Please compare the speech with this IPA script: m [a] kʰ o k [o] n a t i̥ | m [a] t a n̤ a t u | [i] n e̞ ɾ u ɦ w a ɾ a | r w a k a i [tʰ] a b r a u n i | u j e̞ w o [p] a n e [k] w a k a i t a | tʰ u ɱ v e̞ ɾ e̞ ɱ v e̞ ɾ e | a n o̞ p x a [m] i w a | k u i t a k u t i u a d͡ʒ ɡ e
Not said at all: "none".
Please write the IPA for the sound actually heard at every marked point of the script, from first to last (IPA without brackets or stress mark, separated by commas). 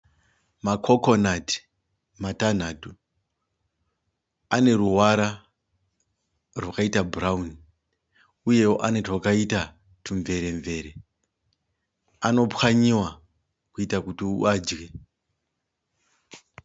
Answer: a, o, a, a, t, ʔ, t, ɲ